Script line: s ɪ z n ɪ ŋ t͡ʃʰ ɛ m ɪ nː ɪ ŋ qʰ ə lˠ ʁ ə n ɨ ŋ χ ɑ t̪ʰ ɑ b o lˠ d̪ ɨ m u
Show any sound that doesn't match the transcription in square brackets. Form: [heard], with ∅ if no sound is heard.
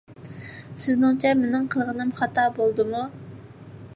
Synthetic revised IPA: s ɪ z n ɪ ŋ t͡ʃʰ ɛ m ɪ [n] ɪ ŋ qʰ ə lˠ ʁ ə n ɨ [m] χ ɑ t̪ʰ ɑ b o lˠ d̪ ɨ m u